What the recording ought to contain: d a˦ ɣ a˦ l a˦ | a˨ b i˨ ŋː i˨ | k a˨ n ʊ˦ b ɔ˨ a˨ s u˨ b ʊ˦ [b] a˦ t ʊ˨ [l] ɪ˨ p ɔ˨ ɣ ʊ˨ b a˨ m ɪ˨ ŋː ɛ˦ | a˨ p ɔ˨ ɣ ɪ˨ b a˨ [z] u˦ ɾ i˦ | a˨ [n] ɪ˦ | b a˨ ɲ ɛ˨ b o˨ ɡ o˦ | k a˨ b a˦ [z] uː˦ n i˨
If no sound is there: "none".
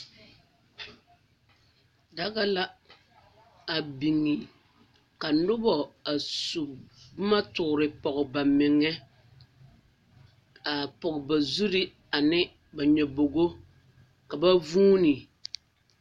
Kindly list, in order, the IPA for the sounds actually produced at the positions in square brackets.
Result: m, ɾ, z, n, v

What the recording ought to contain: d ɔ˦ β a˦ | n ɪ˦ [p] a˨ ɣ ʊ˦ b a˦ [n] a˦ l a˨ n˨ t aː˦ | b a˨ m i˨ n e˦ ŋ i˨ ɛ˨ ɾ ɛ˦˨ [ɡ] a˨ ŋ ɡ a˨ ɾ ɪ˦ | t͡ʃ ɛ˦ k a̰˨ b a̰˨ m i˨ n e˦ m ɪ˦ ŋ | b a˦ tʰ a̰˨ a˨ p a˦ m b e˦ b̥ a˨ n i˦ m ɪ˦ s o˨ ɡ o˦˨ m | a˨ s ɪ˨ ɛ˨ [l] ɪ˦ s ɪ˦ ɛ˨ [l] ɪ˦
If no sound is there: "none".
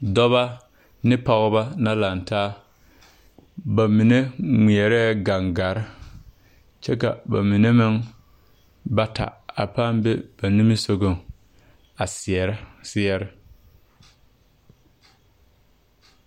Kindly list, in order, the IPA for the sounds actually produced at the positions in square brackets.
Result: p, n, ɡ, ɾ, ɾ

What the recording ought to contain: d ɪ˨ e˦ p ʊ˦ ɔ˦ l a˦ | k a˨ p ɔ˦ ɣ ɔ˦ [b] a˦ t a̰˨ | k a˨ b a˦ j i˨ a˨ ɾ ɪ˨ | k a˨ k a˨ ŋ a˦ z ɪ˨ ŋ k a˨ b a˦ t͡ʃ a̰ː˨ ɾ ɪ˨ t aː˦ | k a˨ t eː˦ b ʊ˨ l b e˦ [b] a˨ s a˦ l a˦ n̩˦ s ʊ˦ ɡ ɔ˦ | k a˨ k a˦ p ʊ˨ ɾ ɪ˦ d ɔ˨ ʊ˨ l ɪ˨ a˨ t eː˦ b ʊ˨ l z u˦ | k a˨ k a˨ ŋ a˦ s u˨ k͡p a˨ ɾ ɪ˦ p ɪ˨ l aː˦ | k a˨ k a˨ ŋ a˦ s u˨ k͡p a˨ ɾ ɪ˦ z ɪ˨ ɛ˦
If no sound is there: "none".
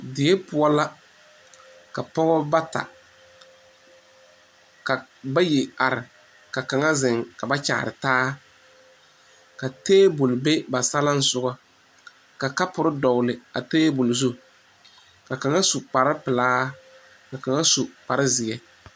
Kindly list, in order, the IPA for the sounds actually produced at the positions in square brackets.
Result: b, b

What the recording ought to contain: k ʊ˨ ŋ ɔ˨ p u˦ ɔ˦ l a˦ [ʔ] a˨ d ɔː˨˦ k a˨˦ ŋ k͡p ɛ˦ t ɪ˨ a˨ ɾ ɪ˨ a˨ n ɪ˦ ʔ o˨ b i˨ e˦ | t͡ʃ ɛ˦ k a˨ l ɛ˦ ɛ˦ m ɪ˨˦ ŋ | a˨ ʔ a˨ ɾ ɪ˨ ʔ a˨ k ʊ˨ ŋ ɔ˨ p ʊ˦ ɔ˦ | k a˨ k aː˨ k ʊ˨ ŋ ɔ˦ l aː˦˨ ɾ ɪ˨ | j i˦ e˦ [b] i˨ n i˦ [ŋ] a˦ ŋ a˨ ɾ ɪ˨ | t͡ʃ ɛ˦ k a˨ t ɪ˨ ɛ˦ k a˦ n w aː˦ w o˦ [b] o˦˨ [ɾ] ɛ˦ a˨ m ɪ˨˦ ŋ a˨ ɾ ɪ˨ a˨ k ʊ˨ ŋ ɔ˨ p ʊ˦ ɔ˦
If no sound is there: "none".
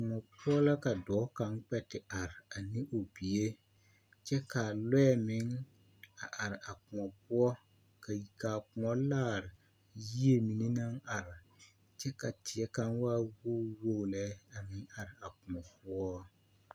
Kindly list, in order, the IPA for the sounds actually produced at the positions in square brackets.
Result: k, m, n, w, l

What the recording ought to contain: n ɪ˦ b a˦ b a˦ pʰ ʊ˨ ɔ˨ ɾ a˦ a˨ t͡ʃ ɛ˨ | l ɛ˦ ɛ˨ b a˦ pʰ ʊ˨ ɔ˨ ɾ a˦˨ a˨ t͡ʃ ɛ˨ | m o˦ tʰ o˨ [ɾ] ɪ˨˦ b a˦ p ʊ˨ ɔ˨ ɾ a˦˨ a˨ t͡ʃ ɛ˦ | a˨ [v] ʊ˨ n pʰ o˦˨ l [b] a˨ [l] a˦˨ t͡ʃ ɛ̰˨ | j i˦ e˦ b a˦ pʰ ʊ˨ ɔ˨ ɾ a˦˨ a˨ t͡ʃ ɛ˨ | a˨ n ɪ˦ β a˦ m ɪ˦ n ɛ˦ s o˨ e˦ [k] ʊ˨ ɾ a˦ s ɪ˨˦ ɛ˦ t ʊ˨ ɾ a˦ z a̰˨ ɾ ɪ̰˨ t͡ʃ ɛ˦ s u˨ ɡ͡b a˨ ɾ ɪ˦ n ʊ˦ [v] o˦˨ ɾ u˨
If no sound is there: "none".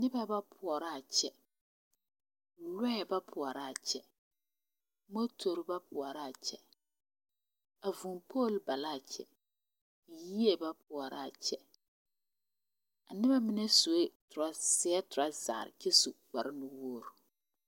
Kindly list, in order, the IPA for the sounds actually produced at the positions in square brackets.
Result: ɾ, v, b, l, t, w

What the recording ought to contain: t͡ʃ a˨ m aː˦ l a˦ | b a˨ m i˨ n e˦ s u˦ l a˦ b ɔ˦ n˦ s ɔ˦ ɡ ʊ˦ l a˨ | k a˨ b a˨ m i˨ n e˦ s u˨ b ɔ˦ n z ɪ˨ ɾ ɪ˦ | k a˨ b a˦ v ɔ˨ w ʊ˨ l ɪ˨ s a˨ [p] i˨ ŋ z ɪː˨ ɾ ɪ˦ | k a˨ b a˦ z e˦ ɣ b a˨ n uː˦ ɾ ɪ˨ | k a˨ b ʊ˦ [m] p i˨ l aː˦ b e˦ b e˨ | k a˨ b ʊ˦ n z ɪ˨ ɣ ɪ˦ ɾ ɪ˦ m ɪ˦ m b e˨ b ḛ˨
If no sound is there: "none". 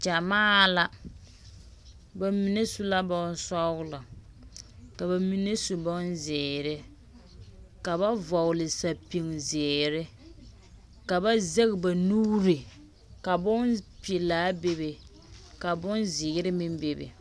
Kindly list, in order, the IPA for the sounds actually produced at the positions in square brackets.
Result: p, n

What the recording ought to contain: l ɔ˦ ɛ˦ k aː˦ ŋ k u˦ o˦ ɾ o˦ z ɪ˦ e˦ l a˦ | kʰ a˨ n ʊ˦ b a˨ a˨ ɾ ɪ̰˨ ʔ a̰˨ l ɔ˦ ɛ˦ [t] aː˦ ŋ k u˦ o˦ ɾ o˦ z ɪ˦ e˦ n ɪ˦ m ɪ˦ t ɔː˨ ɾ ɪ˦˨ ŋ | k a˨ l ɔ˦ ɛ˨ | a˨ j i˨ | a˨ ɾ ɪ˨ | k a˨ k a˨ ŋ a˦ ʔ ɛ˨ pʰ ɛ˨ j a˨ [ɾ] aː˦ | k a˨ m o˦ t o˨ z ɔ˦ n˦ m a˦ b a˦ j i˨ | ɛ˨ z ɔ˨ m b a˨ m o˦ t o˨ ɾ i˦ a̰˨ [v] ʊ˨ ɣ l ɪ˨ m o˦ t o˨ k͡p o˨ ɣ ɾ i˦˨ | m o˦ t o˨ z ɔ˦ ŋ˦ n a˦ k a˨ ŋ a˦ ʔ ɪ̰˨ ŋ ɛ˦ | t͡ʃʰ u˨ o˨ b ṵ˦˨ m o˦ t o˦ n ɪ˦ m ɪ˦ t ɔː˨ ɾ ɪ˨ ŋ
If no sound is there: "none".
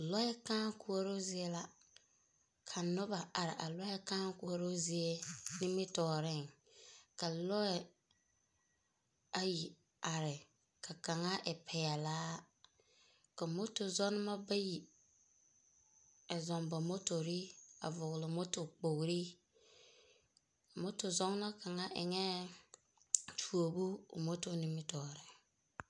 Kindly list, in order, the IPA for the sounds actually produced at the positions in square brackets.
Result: k, l, v

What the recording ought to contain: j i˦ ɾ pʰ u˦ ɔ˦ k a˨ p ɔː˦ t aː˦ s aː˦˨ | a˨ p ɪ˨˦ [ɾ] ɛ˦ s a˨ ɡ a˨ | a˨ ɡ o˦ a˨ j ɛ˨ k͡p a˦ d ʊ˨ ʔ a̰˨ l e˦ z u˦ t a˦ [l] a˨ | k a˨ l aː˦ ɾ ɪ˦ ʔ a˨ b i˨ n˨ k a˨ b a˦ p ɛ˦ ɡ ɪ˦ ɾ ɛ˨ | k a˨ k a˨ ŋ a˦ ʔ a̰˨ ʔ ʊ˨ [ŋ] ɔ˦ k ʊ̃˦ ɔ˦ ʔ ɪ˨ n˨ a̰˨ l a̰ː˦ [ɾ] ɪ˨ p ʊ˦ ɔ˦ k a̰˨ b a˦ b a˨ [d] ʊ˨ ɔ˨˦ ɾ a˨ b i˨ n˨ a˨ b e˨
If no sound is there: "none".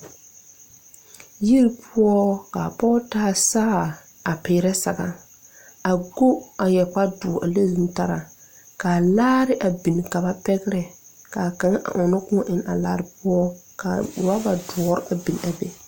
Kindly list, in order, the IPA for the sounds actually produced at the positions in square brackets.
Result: ɾ, ɾ, n, ɾ, d

